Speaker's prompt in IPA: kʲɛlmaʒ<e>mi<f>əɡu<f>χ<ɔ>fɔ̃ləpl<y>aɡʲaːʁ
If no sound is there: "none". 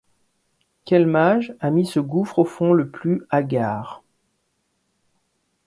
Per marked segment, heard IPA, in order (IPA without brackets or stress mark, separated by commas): a, s, f, o, y